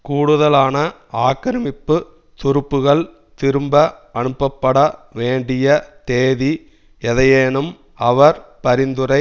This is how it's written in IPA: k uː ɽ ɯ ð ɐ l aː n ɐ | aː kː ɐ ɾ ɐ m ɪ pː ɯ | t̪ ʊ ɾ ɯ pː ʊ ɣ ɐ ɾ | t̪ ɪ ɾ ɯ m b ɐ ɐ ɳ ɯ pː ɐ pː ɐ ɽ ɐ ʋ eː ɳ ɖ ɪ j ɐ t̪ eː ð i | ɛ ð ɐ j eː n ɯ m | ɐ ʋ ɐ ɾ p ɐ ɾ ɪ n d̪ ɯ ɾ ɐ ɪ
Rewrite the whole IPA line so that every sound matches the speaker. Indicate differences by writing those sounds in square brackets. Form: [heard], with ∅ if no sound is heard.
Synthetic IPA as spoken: k uː ɽ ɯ ð ɐ l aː n ɐ | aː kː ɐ ɾ ɐ m ɪ pː ɯ | t̪ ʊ ɾ ɯ pː [ɯ] ɣ ɐ [ɭ] | t̪ ɪ ɾ ɯ m b ɐ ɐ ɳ ɯ pː ɐ pː ɐ ɽ ɐ ʋ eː ɳ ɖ ɪ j ɐ t̪ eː ð i | ɛ ð ɐ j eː n ɯ m | ɐ ʋ ɐ ɾ p ɐ ɾ ɪ n d̪ ɯ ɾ ɐ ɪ

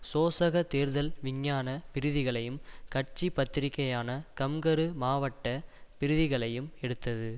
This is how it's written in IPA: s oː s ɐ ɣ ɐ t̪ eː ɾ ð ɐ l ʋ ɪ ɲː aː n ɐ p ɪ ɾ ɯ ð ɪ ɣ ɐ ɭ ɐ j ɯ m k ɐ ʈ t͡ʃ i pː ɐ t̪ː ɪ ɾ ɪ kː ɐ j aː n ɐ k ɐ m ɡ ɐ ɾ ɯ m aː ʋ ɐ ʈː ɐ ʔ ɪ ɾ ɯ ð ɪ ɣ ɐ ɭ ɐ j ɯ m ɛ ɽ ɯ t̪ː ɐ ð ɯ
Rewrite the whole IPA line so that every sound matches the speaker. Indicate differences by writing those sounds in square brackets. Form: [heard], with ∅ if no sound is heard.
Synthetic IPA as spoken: s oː s ɐ ɣ ɐ t̪ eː ɾ ð ɐ l ʋ ɪ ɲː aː n ɐ p ɪ ɾ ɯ ð ɪ ɣ ɐ ɭ ɐ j ɯ m k ɐ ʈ t͡ʃ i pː ɐ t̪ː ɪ ɾ ɪ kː ɐ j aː n ɐ k ɐ m ɡ ɐ ɾ ɯ m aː ʋ ɐ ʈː ɐ [p] ɪ ɾ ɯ ð ɪ ɣ ɐ ɭ ɐ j ɯ m ɛ ɽ ɯ t̪ː ɐ ð ɯ

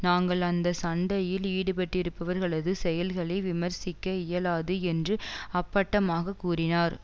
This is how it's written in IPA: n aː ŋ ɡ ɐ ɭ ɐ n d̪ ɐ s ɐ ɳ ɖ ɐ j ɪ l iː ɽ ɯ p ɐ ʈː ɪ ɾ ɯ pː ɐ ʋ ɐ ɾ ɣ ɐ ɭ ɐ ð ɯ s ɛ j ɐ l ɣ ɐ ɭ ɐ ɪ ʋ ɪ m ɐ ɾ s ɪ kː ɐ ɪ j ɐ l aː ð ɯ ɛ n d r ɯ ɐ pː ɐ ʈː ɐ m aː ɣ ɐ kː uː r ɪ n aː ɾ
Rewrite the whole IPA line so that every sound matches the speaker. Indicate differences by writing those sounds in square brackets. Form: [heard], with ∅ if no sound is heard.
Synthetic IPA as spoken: n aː ŋ ɡ ɐ ɭ ɐ n d̪ ɐ s ɐ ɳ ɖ ɐ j ɪ l iː ɽ ɯ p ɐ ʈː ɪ ɾ ɯ pː ɐ ʋ ɐ ɾ ɣ ɐ ɭ ɐ ð ɯ s ɛ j ɐ l ɣ ɐ ɭ ɐ ɪ ʋ ɪ m ɐ ɾ s ɪ kː ɐ ɪ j ɐ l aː ð ɯ ɛ n d r ɯ ɐ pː ɐ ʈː ɐ m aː ɣ ɐ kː uː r ɪ n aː ɾ

